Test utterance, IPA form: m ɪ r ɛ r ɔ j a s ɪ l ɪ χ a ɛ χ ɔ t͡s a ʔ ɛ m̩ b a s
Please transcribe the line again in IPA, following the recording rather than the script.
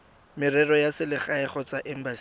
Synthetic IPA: m ɪ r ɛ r ɔ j a s ɪ l ɪ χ a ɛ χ ɔ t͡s a ʔ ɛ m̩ b a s